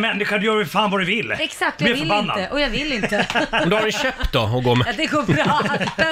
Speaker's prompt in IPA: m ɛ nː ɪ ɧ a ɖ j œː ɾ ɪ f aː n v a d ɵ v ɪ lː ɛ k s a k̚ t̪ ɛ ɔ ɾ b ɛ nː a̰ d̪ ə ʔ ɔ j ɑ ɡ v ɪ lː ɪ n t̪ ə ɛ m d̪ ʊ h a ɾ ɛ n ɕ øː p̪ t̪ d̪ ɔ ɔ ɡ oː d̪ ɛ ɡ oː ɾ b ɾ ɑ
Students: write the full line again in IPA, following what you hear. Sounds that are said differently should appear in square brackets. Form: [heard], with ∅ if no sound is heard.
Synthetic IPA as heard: m ɛ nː ɪ ɧ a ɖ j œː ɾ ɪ f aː n v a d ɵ v ɪ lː ɛ k s a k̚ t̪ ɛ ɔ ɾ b [a] nː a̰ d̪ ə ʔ ɔ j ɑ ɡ v ɪ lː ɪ n t̪ ə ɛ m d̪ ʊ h a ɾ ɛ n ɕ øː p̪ t̪ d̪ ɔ ɔ ɡ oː d̪ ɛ ɡ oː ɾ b ɾ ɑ